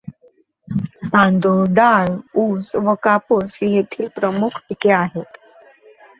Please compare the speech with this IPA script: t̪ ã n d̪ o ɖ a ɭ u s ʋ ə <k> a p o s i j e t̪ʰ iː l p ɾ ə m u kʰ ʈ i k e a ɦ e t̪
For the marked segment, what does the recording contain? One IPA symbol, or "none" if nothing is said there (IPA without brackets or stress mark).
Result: k